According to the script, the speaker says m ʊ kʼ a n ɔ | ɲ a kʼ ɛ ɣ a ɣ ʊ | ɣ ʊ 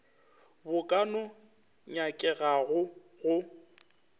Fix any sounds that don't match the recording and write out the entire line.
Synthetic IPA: b ʊ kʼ a n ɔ | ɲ a kʼ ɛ ɣ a ɣ ʊ | ɣ ʊ